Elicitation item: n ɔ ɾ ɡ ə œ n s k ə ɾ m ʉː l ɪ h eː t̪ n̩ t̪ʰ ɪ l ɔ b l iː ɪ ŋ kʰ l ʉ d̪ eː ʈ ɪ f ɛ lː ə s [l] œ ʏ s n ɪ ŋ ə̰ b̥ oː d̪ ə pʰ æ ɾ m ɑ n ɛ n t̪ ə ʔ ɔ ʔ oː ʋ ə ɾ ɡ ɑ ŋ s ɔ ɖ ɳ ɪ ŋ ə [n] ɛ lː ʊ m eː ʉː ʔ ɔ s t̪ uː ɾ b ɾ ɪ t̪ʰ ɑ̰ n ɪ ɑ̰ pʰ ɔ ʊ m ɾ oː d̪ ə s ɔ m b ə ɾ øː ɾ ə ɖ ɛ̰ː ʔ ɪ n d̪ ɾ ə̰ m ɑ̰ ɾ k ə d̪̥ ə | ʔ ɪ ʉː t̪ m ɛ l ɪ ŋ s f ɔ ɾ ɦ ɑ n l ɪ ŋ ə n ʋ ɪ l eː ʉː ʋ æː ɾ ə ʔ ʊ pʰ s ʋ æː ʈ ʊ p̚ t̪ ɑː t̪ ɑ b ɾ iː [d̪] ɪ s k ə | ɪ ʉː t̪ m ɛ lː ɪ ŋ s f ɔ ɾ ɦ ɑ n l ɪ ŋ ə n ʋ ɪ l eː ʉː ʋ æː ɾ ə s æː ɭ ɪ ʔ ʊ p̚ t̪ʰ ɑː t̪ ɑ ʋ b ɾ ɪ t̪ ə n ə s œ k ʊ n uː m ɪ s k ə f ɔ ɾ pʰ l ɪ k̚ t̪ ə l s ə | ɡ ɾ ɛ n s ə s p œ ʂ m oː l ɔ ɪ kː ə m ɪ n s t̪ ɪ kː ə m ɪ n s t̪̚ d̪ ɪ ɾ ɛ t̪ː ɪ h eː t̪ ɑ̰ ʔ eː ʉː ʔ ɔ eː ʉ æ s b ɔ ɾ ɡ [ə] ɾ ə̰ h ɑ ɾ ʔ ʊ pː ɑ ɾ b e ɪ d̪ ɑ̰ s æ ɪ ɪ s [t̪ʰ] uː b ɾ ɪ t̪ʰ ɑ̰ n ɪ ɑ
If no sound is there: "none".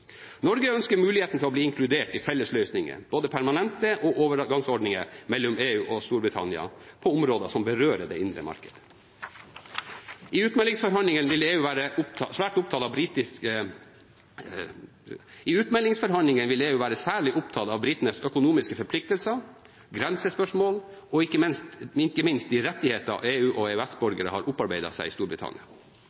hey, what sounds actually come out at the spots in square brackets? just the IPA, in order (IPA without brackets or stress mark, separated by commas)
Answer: l, m, t̪, ə, t̪